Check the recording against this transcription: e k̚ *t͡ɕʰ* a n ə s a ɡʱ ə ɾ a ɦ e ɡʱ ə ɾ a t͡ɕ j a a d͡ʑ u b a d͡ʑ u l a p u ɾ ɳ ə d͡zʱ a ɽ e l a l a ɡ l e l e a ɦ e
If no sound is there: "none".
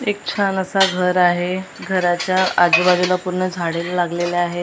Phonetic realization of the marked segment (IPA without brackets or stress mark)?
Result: t͡ɕʰ